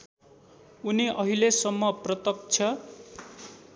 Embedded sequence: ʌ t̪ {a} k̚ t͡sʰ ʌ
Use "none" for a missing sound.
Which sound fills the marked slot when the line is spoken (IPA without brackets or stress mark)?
ʌ